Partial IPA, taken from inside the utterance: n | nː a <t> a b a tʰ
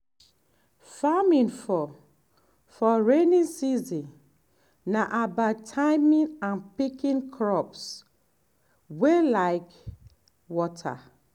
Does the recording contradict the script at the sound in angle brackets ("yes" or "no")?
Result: yes